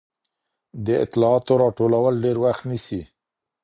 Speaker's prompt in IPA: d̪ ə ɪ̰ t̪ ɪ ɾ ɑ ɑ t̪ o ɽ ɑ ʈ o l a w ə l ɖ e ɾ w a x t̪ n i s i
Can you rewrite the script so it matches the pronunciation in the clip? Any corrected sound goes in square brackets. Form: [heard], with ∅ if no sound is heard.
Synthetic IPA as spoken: d̪ ə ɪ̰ t̪ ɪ [l] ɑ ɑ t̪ o [ɾ] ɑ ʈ o l a w ə l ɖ e ɾ w a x t̪ n i s i